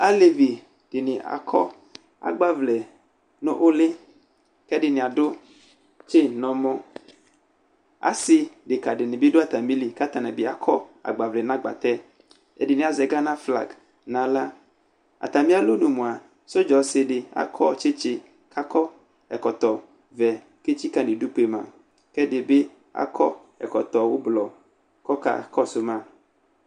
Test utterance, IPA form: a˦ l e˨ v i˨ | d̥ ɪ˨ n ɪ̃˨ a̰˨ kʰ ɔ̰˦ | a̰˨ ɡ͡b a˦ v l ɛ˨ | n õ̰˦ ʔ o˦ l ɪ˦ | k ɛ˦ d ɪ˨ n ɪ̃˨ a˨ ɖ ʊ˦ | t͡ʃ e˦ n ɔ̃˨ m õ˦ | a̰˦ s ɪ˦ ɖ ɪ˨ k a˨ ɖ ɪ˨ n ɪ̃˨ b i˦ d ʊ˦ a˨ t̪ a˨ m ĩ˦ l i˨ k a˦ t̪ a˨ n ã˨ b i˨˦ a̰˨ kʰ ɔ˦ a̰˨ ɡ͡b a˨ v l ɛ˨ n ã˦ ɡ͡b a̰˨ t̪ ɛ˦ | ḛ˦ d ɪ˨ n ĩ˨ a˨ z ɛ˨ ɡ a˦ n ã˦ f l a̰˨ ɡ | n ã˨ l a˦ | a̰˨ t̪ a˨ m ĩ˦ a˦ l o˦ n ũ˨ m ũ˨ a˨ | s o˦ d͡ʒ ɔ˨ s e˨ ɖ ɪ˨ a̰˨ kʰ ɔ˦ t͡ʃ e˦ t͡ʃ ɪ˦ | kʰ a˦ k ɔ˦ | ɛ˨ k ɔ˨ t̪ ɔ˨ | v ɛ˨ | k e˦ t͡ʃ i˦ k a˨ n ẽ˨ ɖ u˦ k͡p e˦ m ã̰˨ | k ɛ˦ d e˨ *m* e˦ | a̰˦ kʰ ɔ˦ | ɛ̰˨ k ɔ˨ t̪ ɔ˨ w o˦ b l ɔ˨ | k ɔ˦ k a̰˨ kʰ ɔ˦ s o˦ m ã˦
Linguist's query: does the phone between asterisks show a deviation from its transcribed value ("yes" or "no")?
yes